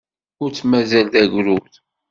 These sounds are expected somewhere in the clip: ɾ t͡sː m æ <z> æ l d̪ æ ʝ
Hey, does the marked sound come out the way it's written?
yes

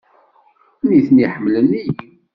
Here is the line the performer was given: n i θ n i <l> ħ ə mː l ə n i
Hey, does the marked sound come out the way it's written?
no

